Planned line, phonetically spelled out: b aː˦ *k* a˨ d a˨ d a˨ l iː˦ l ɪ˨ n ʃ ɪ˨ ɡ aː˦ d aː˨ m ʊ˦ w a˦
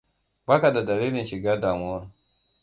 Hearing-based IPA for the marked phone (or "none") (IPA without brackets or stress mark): k